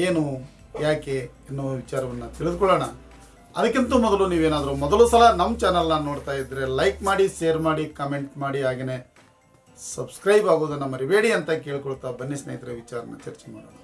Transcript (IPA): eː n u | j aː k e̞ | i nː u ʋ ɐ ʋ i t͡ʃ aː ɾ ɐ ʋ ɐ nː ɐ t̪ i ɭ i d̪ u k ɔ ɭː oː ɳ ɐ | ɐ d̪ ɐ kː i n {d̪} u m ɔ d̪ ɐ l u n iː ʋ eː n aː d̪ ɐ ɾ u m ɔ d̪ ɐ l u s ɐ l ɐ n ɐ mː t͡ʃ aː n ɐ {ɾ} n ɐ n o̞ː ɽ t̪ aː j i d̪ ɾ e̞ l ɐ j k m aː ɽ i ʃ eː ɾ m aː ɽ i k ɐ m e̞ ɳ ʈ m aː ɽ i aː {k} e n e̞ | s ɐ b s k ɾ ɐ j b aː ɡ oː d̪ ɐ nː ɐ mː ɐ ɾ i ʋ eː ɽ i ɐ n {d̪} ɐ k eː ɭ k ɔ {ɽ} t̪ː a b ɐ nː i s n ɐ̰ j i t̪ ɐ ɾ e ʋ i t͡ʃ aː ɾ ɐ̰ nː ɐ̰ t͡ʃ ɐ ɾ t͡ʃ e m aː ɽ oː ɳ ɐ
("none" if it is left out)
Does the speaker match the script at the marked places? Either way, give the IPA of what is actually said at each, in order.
t̪, l, ɡ, t̪, ɭ

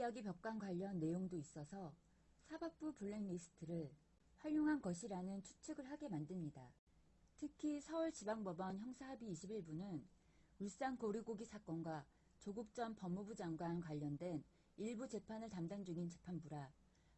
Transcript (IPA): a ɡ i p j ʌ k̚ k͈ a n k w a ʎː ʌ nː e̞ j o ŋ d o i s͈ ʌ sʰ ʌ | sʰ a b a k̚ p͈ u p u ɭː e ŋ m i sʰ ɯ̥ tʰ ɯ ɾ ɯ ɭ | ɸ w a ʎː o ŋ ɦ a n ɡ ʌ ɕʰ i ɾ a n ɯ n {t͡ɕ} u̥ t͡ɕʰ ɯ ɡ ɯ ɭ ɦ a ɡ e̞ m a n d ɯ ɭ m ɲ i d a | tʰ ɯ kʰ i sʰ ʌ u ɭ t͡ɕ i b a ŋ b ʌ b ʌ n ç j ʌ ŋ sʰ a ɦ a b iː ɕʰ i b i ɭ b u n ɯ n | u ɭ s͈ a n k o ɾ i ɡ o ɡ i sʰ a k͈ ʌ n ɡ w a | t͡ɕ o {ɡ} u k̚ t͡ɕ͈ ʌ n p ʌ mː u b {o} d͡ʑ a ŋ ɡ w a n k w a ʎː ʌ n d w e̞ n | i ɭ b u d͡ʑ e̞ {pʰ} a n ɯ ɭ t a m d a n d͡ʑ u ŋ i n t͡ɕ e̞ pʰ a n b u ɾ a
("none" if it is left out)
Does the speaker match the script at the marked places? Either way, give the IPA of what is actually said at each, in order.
t͡ɕʰ, ɡ, u, pʰ

